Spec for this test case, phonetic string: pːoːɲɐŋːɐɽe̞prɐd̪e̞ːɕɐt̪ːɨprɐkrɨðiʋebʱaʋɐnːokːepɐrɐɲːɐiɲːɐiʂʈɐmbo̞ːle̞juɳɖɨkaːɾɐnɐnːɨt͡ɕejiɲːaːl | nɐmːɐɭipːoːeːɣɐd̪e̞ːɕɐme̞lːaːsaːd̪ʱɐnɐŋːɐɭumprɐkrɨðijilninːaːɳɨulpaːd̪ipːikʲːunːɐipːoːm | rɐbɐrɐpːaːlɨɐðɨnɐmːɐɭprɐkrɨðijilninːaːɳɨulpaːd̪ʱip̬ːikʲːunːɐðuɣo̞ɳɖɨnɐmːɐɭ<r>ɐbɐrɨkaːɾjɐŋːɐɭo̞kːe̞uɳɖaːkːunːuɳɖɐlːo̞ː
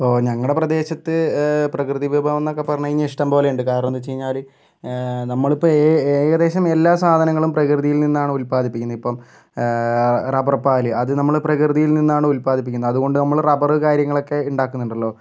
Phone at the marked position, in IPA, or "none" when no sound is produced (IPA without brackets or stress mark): r